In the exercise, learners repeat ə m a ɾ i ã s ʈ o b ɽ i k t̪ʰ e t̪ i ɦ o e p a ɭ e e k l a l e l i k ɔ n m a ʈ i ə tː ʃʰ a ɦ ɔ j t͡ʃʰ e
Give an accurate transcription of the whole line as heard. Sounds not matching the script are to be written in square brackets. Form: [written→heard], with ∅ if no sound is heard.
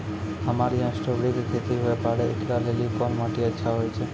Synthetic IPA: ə m a ɾ i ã s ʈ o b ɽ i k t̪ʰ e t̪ i ɦ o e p a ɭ e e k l a l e l i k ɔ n m a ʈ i ə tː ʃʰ a ɦ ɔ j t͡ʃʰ e

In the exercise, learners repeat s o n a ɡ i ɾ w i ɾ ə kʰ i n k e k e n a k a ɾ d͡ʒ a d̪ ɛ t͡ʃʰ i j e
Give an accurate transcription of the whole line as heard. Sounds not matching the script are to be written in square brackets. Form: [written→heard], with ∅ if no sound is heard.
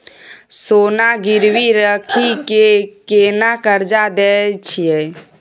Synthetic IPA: s o n a ɡ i ɾ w i ɾ ə kʰ i [n→∅] k e k e n a k [a→ə] ɾ d͡ʒ a d̪ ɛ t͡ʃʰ i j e

